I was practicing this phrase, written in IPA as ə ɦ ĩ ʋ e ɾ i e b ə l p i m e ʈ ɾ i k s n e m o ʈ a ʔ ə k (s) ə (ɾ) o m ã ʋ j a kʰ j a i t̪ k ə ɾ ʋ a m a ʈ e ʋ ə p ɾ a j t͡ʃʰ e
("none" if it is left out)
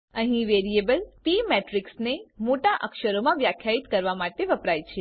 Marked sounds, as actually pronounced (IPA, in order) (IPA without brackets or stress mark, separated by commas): ʃ, ɾ